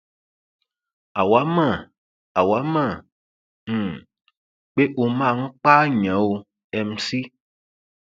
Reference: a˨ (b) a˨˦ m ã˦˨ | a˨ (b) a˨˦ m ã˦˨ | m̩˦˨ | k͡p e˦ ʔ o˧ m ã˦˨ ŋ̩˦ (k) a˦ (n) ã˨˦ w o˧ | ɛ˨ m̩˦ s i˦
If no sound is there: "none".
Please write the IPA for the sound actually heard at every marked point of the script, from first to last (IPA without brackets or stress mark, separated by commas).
w, w, k͡p, ɲ